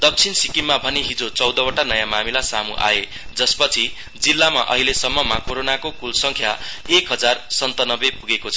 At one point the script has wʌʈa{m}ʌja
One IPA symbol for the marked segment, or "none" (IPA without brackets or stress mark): n